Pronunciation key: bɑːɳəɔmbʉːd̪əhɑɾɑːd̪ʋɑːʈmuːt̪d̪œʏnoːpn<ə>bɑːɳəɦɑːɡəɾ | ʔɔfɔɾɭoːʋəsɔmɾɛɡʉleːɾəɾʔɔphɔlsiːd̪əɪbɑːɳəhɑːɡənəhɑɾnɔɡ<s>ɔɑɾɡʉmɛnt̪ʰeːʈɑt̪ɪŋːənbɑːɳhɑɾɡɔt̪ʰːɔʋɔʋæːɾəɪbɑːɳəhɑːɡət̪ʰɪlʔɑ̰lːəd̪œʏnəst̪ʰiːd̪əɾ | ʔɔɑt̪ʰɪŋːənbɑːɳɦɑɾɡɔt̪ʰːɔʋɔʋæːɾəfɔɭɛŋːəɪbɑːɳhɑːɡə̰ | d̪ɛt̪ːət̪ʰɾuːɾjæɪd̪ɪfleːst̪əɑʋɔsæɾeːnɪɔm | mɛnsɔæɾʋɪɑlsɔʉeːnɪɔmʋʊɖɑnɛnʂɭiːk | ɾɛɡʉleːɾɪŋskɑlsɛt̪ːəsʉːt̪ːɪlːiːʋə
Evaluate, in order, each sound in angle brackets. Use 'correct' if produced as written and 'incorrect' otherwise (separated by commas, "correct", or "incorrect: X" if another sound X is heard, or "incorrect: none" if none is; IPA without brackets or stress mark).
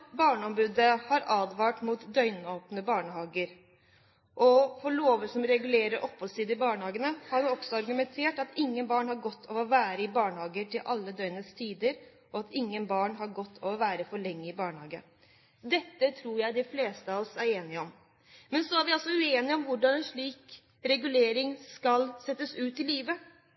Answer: correct, correct